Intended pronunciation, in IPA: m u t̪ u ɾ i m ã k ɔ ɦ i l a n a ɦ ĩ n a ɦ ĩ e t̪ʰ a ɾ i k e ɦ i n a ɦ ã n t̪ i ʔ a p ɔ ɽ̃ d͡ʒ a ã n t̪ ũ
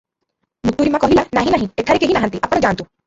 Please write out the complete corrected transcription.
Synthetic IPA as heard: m u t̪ u ɾ i m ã k ɔ ɦ i l a n a ɦ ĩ n a ɦ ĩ e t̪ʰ a ɾ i k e ɦ i n a ɦ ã n t̪ i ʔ a p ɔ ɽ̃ d͡ʒ a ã n t̪ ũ